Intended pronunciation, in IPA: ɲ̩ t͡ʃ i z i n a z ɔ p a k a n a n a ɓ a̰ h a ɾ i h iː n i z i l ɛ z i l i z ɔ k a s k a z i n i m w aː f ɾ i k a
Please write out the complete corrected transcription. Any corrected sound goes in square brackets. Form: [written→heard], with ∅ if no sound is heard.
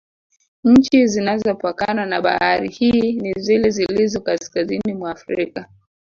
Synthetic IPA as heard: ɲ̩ t͡ʃ i z i n a z ɔ p a k a n a n a ɓ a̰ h a ɾ i h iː n i z i l ɛ z i l i z ɔ k a s k a z i n i m w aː f ɾ i k a